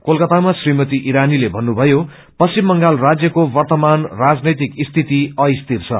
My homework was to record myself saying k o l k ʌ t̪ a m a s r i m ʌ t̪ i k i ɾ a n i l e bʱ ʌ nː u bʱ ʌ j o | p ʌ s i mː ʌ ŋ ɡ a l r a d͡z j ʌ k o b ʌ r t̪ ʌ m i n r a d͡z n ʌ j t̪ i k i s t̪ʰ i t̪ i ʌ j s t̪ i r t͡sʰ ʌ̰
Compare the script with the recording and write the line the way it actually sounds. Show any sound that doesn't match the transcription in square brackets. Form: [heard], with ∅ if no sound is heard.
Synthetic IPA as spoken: k o l k ʌ t̪ a m a s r i m ʌ t̪ i [ʔ] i ɾ a n i l e bʱ ʌ nː u bʱ ʌ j o | p ʌ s i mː ʌ ŋ ɡ a l r a d͡z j ʌ k o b ʌ r t̪ ʌ m [a] n r a d͡z n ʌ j t̪ i k i s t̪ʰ i t̪ i ʌ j s t̪ i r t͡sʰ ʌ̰